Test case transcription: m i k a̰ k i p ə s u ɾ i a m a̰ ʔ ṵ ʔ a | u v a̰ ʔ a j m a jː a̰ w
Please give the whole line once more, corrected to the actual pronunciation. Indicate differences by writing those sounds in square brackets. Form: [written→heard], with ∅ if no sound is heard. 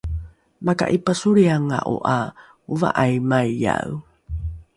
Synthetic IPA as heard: m [i→a] k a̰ [k→ʔ] i p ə s u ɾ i a [m→ŋ] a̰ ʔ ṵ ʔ a | u v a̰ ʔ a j m a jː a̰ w